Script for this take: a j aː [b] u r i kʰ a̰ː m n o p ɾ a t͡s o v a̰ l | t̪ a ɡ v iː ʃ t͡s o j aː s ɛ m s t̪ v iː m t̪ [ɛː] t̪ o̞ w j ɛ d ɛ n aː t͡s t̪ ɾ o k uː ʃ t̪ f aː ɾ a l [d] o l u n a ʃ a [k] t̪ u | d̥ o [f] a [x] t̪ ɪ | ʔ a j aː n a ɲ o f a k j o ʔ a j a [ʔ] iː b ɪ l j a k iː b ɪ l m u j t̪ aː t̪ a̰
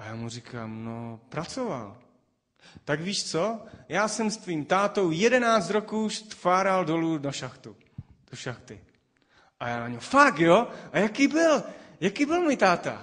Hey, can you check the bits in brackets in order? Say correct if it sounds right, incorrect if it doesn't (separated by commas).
incorrect, incorrect, correct, incorrect, incorrect, correct, incorrect